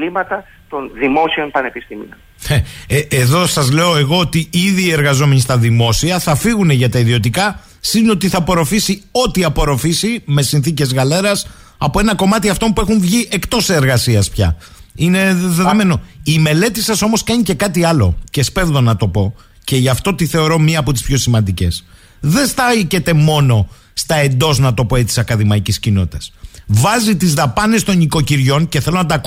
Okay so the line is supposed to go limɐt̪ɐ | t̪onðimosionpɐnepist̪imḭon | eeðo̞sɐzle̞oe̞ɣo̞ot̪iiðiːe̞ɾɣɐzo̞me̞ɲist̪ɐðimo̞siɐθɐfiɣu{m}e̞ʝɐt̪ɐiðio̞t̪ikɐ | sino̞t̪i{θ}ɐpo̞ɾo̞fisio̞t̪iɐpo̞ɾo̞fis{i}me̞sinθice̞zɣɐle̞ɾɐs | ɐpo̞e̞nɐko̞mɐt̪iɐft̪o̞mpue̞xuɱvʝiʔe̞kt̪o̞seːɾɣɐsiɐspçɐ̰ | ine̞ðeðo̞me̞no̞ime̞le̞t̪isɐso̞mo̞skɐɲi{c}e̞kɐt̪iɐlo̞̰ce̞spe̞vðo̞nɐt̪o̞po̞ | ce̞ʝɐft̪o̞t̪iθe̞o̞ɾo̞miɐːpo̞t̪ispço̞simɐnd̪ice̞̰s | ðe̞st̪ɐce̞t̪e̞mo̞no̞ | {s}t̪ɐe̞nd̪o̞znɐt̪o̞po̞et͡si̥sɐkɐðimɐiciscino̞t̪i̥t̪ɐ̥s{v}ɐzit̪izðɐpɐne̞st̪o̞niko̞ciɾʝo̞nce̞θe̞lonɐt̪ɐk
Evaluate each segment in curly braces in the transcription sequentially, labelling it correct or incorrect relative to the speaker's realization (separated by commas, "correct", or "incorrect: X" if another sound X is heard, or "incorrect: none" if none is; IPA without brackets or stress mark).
incorrect: n, correct, correct, correct, correct, correct